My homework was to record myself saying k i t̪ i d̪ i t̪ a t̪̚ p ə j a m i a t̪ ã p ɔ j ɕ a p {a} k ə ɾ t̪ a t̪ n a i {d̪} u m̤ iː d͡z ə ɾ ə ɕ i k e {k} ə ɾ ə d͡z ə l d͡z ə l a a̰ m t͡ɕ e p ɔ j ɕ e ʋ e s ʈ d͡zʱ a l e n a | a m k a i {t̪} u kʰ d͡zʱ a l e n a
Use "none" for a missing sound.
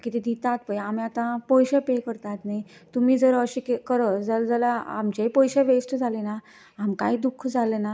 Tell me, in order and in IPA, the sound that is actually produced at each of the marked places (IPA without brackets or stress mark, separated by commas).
e, t̪, k, d̪